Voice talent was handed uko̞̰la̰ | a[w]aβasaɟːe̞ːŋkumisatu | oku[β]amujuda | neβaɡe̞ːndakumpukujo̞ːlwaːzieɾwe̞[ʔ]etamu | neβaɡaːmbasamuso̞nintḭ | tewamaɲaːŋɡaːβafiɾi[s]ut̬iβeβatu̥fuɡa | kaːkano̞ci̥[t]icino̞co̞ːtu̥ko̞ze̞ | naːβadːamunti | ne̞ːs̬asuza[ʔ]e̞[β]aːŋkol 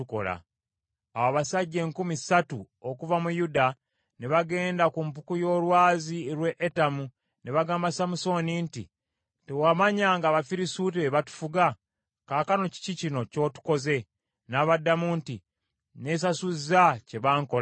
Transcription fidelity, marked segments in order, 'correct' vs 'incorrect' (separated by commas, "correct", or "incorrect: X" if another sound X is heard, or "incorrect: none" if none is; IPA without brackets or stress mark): correct, incorrect: v, correct, correct, incorrect: c, incorrect: c, correct